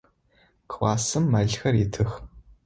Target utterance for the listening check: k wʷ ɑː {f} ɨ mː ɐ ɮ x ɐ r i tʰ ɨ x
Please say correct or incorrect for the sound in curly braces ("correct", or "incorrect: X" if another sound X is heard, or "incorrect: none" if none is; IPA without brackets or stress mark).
incorrect: s